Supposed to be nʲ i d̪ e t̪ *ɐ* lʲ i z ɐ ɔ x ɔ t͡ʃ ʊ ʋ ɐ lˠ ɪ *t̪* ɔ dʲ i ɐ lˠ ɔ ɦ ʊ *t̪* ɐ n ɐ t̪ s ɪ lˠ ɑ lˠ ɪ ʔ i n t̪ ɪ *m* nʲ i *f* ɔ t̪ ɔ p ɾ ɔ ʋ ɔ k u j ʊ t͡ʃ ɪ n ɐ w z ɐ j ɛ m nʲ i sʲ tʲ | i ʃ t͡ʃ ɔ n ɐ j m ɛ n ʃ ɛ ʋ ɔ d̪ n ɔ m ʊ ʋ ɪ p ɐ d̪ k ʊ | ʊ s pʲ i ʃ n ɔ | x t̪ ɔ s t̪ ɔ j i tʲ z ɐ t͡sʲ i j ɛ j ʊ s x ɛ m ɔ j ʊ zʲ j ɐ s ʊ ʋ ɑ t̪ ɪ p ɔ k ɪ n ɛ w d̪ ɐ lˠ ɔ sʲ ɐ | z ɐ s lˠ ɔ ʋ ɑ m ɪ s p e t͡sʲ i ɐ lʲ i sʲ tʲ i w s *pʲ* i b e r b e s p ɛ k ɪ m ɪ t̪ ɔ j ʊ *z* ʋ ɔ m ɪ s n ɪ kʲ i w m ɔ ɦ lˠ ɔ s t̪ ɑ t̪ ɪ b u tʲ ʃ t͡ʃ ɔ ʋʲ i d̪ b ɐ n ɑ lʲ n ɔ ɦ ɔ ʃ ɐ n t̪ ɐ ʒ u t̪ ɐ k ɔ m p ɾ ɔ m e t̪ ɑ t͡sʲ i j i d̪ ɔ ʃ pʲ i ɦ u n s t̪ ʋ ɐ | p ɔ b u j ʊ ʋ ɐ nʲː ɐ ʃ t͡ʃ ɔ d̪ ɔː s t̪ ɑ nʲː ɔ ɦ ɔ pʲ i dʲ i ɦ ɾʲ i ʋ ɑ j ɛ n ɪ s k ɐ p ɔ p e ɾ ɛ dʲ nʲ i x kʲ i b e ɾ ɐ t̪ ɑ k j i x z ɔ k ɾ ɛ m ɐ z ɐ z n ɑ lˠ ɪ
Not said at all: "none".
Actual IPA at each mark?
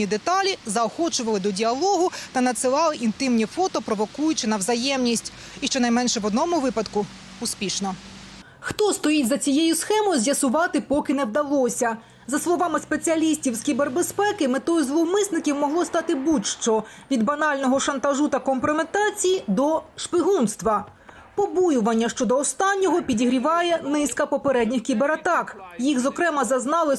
ɑ, d̪, t̪, m, f, kʲ, z

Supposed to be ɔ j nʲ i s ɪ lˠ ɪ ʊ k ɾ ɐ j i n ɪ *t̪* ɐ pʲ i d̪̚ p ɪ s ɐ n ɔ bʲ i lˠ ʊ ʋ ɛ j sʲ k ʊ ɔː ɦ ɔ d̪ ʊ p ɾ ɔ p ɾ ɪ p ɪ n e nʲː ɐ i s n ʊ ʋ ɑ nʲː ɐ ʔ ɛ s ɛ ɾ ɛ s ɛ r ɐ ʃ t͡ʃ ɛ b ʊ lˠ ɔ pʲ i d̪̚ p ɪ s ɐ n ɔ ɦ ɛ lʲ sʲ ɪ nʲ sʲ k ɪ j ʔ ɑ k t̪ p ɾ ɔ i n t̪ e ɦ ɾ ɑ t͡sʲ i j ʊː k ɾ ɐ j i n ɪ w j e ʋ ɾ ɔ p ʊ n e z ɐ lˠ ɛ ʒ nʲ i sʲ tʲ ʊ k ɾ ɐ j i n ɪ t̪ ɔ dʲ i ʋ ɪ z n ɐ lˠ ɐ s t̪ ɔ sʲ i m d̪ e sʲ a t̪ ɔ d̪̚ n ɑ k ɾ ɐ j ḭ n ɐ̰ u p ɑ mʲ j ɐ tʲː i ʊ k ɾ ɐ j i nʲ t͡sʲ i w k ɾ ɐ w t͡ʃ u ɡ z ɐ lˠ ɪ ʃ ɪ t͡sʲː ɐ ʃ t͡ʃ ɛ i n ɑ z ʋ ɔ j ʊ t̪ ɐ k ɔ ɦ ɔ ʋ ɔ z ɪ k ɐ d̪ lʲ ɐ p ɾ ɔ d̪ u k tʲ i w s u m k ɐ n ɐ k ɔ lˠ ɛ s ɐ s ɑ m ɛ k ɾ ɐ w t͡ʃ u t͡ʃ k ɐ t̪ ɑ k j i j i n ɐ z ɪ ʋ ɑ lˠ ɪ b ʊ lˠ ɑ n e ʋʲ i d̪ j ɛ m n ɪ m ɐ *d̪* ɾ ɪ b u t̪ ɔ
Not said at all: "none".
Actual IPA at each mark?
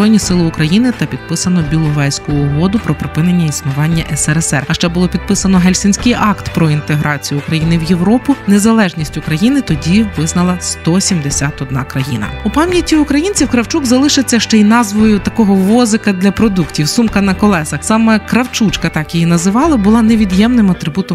t̪, t̪

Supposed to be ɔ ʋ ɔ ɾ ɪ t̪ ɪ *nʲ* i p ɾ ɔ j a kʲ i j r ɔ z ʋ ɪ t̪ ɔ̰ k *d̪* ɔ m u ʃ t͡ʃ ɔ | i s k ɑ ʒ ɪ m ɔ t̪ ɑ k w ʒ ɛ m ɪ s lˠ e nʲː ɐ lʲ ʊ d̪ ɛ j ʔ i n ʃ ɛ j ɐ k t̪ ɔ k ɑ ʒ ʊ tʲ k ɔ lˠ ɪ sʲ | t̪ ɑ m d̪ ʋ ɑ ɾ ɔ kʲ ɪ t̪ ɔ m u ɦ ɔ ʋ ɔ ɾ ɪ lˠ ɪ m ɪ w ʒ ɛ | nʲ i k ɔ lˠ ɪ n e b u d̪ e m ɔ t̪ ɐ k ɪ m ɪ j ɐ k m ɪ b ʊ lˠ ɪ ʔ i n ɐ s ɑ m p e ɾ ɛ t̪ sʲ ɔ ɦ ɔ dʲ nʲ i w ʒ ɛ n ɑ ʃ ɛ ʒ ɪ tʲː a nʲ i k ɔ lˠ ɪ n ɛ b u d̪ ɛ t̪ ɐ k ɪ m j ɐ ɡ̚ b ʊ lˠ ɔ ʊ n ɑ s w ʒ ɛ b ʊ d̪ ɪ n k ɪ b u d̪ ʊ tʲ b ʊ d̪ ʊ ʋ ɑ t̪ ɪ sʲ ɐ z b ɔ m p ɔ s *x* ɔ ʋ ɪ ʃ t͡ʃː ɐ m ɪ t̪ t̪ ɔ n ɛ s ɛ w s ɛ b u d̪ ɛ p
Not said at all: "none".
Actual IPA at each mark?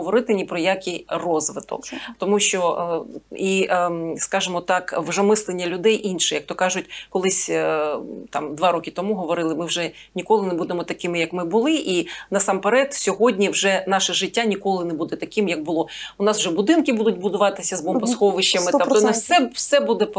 nʲ, t̪, x

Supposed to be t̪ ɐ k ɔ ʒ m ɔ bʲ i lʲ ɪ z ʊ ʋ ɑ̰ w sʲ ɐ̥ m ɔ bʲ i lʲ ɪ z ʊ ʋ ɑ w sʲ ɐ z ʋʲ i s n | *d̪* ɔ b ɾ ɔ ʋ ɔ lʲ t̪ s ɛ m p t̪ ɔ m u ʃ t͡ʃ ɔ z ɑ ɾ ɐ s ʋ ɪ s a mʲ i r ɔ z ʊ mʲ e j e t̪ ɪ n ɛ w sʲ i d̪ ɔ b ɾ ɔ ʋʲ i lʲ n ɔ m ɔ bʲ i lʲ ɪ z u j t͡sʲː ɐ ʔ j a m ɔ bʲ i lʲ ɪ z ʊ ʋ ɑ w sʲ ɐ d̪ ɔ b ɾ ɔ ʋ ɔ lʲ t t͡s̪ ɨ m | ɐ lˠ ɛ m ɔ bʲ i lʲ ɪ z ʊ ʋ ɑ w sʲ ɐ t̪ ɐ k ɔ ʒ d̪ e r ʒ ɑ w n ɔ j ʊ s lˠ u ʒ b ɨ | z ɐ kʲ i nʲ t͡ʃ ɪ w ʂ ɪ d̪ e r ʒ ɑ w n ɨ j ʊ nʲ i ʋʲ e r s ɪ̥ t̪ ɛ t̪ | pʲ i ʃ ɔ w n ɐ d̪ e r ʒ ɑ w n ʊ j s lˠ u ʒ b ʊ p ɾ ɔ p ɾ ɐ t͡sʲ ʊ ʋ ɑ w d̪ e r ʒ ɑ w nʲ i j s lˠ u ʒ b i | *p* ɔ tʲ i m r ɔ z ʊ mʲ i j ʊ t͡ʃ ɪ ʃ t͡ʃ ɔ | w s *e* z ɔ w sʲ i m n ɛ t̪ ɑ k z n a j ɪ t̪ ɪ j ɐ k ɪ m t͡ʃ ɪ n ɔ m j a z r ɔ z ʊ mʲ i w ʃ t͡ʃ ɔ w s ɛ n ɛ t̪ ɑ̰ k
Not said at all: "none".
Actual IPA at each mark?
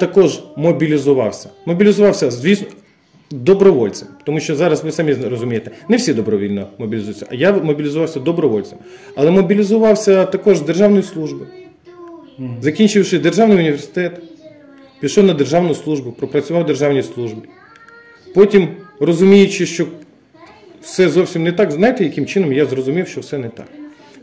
d̪, p, ɛ

